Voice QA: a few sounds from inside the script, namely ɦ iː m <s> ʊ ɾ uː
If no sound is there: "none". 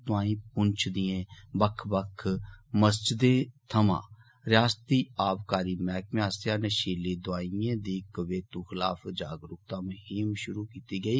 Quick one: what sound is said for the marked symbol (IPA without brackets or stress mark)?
ʃ